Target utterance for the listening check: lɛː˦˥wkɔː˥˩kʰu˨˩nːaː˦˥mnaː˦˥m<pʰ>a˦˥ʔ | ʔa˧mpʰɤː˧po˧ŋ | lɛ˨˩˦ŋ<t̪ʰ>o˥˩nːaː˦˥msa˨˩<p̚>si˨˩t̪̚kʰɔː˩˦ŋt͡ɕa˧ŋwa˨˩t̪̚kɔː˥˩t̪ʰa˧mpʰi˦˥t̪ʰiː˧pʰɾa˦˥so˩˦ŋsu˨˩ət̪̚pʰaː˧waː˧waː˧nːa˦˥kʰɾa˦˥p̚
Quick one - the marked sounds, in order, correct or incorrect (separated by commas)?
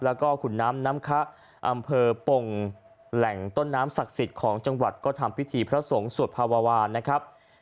incorrect, incorrect, incorrect